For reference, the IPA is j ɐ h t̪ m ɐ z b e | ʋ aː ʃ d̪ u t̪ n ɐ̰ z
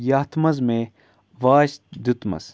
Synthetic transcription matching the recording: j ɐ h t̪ m ɐ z m e | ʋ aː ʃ d̪ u t̪ m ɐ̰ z